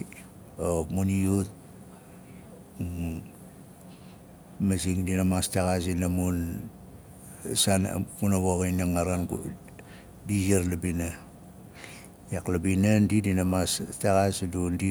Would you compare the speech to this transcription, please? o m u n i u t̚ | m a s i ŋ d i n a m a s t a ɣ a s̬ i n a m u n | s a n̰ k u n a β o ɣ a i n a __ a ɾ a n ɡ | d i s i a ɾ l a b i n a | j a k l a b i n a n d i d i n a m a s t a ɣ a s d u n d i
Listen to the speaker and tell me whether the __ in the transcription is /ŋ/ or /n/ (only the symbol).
ŋ